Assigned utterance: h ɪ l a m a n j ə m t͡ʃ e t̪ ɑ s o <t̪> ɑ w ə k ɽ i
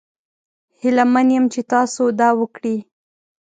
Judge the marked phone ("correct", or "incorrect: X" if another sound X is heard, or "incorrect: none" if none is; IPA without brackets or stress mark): incorrect: d̪